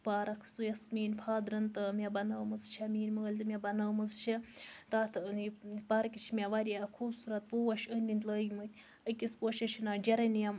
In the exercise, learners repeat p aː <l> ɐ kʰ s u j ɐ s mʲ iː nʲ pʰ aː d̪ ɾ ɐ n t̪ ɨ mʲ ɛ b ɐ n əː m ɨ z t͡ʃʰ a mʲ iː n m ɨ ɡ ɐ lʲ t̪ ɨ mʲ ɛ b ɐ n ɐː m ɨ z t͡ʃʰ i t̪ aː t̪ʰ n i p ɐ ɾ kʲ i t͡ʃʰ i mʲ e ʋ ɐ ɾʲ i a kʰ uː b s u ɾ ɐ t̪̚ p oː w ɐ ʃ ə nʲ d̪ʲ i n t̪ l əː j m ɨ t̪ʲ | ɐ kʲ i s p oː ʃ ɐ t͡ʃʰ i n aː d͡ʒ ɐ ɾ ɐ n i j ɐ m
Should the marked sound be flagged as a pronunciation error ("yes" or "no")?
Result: yes